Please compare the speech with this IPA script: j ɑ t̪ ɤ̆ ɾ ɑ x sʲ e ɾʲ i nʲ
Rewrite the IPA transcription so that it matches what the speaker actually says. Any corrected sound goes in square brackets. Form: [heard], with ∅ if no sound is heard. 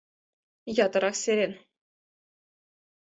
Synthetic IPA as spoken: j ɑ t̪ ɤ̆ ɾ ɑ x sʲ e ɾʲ [e] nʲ